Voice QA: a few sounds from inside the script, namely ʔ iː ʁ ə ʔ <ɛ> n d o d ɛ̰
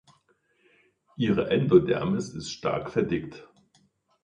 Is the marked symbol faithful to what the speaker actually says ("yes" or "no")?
yes